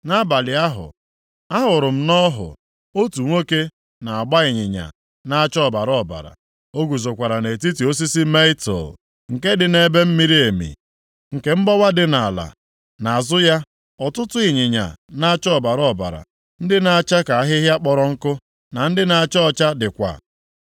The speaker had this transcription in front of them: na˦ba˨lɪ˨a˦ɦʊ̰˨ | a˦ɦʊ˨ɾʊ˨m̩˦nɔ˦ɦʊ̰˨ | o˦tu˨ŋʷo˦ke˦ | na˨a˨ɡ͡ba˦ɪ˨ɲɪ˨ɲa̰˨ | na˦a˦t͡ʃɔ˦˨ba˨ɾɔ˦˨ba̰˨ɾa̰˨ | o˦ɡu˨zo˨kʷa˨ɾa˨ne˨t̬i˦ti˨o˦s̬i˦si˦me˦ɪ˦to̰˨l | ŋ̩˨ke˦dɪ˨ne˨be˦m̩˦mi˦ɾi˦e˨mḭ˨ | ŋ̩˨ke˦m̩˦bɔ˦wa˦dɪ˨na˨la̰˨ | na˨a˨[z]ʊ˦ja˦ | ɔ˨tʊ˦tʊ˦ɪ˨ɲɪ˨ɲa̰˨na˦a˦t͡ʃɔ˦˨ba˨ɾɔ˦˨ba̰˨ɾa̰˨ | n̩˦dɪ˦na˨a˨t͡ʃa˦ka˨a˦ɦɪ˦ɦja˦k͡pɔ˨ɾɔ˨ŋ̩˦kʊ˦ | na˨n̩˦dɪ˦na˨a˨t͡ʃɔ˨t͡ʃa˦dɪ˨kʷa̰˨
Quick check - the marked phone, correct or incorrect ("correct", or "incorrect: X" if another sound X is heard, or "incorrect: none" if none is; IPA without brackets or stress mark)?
correct